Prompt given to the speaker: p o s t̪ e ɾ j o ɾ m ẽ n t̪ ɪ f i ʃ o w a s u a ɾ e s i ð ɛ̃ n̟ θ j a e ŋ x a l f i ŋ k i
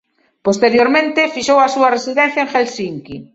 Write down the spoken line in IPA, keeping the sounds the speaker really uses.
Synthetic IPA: p o s t̪ e ɾ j o ɾ m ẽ n t̪ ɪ f i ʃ o w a s u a r e s i ð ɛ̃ n̟ θ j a e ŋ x e l s i ŋ k i